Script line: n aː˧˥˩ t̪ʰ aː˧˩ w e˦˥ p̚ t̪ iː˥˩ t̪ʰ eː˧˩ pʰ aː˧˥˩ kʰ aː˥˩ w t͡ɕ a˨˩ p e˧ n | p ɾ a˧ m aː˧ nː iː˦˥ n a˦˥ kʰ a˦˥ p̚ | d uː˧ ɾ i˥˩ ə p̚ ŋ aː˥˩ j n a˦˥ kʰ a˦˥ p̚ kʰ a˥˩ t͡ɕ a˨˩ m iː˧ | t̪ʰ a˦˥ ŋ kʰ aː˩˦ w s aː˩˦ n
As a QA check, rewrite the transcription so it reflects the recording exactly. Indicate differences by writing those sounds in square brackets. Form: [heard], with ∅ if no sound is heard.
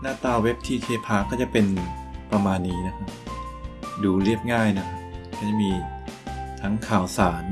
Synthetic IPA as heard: n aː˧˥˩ [t̪] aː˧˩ w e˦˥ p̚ [t̪ʰ] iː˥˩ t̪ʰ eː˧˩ pʰ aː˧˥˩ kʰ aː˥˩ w t͡ɕ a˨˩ p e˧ n | p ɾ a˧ m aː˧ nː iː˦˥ n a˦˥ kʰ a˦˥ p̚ | d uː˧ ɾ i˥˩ ə p̚ ŋ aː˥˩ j n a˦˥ kʰ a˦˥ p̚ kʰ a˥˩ t͡ɕ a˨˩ m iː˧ | t̪ʰ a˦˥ ŋ kʰ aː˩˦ w s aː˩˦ n